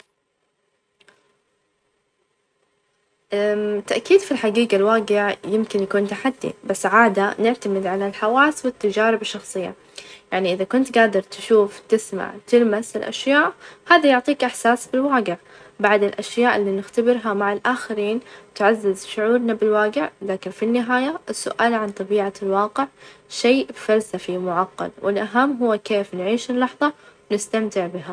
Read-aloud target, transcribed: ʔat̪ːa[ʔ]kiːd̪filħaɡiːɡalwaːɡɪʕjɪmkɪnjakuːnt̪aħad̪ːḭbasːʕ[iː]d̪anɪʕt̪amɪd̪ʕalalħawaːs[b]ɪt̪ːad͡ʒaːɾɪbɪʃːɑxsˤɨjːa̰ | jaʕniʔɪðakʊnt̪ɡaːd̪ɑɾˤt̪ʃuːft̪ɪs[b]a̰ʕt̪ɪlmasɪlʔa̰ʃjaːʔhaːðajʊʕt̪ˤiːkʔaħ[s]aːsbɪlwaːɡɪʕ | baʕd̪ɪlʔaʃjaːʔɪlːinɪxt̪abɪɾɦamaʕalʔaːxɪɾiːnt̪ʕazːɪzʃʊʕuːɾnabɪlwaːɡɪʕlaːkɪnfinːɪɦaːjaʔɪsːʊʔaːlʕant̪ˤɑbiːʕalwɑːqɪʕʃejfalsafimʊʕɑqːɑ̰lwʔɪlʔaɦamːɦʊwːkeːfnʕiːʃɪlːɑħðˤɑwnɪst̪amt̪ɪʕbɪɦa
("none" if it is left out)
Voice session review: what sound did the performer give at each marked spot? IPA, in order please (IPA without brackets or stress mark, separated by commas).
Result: ʔ, aː, w, m, s